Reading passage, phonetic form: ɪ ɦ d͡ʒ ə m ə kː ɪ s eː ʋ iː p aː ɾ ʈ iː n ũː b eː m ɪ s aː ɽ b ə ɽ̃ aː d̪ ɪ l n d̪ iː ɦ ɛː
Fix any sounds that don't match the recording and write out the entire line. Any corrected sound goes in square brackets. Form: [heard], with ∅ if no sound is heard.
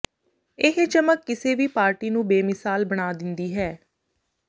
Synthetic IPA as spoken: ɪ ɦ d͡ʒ ə m ə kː ɪ s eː ʋ iː p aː ɾ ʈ iː n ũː b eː m ɪ s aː [l] b ə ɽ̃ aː d̪ ɪ [∅] n d̪ iː ɦ ɛː